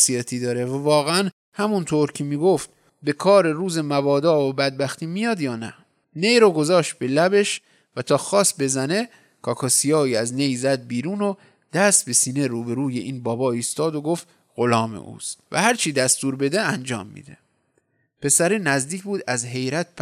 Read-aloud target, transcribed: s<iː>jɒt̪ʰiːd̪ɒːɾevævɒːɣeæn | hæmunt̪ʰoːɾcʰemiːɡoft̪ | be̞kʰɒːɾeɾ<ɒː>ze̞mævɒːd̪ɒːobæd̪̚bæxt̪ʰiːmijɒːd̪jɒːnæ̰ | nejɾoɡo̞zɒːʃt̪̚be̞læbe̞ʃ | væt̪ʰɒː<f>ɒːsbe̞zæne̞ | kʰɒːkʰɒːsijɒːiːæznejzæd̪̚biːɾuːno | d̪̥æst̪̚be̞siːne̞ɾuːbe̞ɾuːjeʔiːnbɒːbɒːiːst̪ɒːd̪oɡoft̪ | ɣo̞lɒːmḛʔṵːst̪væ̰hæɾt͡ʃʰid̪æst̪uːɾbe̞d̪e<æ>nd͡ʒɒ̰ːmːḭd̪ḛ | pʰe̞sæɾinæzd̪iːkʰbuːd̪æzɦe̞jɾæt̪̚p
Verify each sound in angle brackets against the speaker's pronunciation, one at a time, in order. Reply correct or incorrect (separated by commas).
incorrect, incorrect, incorrect, correct